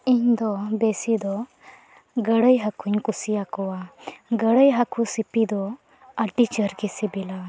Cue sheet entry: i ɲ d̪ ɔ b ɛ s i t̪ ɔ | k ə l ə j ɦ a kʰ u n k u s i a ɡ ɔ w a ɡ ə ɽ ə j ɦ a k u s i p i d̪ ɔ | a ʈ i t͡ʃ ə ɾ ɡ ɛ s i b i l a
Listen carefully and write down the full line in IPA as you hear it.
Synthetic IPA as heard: i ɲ d̪ ɔ b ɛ s i d̪ ɔ | ɡ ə ɽ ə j ɦ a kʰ u ɲ k u s i a k ɔ w a ɡ ə ɽ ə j ɦ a k u s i p i d̪ ɔ | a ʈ i t͡ʃ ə ɾ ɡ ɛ s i b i l a